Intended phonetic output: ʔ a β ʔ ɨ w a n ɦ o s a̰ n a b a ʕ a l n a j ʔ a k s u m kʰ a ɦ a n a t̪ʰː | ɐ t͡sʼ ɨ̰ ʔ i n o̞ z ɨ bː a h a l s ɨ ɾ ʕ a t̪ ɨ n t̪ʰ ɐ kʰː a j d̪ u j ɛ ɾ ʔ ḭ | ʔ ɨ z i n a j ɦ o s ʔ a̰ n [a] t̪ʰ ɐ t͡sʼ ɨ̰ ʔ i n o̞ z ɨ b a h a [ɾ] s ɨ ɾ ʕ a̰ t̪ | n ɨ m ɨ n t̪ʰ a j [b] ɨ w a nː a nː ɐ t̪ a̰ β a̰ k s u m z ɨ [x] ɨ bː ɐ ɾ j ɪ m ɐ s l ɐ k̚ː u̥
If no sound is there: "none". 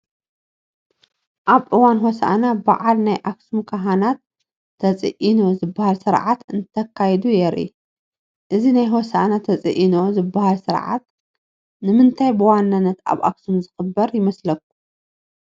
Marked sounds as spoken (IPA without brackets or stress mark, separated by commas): a, l, b, x